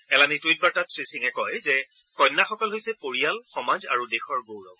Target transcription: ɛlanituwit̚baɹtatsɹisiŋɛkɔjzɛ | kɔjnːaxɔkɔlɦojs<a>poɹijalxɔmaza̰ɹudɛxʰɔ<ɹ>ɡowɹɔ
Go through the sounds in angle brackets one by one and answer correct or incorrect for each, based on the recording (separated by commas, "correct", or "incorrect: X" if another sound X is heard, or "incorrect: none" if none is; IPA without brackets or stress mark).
incorrect: ɛ, correct